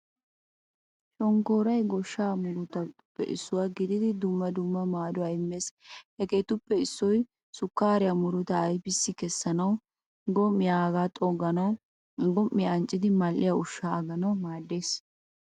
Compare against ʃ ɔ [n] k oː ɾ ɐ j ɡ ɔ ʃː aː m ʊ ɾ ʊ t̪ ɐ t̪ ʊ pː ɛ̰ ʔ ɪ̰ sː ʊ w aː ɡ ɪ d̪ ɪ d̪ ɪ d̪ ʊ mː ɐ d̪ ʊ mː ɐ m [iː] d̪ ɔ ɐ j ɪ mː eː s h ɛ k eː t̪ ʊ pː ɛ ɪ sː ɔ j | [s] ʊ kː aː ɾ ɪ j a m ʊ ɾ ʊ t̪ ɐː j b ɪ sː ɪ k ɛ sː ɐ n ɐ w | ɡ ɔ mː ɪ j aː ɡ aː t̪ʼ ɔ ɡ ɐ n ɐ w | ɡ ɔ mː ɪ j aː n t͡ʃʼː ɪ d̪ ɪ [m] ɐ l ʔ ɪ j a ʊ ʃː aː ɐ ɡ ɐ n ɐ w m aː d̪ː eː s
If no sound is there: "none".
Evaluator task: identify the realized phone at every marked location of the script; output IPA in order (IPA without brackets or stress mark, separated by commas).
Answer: ŋ, aː, s, m